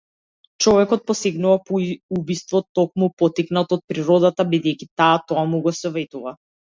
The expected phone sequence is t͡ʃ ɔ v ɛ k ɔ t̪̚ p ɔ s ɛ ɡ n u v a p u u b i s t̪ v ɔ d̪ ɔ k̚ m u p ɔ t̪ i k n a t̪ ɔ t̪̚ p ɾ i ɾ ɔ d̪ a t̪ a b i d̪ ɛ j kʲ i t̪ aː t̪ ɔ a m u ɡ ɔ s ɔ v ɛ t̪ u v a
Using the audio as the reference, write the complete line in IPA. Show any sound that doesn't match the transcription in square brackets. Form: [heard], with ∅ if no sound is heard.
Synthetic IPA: t͡ʃ ɔ v ɛ k ɔ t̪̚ p ɔ s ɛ ɡ n u v a p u u b i s t̪ v ɔ [t̪] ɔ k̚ m u p ɔ t̪ i k n a t̪ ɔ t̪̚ p ɾ i ɾ ɔ d̪ a t̪ a b i d̪ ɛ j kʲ i t̪ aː t̪ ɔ a m u ɡ ɔ s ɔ v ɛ t̪ u v a